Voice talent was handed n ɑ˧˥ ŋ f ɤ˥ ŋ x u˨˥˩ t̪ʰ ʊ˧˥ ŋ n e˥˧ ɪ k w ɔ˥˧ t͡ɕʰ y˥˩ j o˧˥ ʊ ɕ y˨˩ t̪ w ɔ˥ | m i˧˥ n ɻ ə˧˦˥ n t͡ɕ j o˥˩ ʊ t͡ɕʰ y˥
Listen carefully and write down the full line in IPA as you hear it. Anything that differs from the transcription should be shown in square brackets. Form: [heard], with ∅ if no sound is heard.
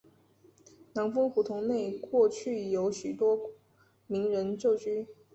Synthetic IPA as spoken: n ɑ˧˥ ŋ f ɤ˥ ŋ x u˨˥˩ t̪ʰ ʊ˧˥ ŋ n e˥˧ ɪ k w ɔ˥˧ t͡ɕʰ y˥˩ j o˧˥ ʊ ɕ y˨˩ t̪ w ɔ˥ | m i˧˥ [ŋ] ɻ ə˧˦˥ n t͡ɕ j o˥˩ ʊ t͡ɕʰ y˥